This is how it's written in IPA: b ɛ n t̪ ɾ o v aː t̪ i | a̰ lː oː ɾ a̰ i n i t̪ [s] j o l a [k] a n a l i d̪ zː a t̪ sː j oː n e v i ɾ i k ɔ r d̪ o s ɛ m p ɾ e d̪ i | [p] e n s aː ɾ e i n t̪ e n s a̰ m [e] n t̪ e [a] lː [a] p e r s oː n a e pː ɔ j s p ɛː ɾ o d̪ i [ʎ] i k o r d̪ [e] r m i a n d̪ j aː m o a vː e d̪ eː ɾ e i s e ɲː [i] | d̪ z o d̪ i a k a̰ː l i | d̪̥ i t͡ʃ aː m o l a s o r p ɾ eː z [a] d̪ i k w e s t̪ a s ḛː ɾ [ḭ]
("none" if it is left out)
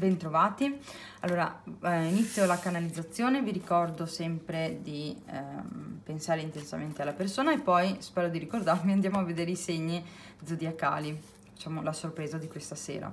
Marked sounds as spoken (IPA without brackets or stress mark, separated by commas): sː, k, p, e, a, a, ɾ, a, i, a, a̰